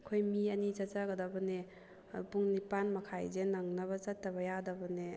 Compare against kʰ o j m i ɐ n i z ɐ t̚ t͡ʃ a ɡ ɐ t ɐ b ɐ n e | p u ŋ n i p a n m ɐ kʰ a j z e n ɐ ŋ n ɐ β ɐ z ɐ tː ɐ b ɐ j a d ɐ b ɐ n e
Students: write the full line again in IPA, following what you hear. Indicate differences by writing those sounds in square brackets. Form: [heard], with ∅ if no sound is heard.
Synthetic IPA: kʰ o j m i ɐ n i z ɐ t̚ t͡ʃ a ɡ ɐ [d] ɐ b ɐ n e | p u ŋ n i p a n m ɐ kʰ a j z e n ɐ ŋ n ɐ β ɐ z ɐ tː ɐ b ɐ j a d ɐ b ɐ n e